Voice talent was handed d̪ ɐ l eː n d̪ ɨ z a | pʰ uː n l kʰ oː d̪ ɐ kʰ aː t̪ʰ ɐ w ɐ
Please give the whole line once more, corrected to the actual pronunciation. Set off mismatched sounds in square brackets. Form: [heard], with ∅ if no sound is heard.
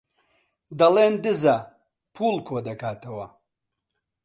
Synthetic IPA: d̪ ɐ l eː n d̪ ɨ z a | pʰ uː [∅] l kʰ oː d̪ ɐ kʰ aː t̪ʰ ɐ w ɐ